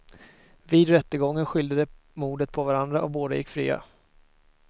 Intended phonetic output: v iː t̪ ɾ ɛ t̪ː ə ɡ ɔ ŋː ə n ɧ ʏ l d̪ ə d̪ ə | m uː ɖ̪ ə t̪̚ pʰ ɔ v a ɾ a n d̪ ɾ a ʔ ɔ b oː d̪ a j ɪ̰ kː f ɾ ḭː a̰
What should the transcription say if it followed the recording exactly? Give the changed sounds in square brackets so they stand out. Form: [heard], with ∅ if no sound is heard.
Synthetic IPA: v iː [d̪] ɾ ɛ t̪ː ə ɡ ɔ ŋː ə n ɧ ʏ l d̪ ə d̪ ə | m uː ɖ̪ ə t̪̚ pʰ ɔ v a ɾ a n d̪ ɾ a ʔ ɔ b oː d̪ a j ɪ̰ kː f ɾ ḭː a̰